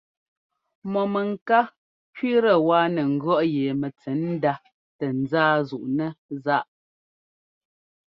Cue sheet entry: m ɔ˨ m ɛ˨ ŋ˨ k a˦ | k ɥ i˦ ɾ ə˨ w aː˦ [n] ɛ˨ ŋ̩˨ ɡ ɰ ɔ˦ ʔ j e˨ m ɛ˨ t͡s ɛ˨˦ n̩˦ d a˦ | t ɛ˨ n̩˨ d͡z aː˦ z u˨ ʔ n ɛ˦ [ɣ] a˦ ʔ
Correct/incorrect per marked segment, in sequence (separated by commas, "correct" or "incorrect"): correct, incorrect